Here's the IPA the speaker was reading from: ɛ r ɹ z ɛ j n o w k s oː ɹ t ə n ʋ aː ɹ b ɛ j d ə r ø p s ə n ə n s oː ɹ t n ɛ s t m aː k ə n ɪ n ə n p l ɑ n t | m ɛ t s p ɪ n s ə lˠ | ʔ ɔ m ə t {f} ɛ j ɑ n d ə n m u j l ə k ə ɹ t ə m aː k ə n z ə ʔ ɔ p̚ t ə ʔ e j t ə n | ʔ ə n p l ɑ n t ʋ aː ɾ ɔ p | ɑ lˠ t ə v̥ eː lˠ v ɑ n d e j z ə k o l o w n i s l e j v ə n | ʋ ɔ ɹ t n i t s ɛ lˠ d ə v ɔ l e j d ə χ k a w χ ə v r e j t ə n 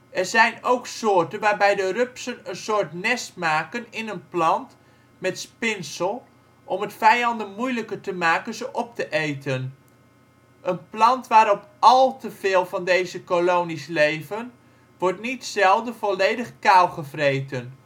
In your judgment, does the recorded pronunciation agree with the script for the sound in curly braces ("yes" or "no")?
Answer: yes